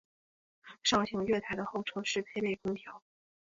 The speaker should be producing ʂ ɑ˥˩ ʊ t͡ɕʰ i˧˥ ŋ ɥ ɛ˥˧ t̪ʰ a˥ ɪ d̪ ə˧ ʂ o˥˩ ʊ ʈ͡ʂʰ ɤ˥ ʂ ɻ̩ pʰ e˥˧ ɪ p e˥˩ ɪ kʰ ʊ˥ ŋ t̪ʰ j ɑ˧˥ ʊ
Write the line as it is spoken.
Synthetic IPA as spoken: ʂ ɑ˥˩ ʊ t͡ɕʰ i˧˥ ŋ ɥ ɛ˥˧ t̪ʰ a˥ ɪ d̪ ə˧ x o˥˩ ʊ ʈ͡ʂʰ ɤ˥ ʂ ɻ̩ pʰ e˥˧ ɪ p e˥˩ ɪ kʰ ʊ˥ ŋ t̪ʰ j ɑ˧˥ ʊ